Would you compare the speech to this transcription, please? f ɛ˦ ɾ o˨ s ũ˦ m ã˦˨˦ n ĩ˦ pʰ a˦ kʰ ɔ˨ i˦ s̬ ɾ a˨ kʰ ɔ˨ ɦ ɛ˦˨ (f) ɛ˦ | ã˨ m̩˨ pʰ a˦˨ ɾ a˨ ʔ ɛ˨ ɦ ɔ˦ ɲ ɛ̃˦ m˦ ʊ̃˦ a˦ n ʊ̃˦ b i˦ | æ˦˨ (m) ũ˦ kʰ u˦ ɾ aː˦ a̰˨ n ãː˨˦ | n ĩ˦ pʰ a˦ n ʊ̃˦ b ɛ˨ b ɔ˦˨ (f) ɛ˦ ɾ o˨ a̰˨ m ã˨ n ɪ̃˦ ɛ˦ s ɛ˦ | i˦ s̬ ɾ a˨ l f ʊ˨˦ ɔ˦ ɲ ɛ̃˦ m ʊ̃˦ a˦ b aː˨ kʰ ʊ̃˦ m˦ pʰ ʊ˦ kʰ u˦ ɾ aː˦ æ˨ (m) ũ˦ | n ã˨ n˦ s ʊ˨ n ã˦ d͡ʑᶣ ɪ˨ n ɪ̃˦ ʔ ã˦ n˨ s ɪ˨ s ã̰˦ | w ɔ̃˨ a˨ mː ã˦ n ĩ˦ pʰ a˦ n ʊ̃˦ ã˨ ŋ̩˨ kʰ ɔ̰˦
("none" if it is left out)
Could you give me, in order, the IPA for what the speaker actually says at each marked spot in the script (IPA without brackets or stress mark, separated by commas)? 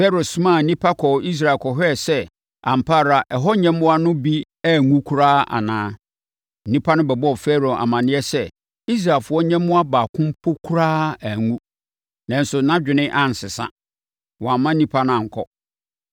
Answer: s, ŋ, f, ŋ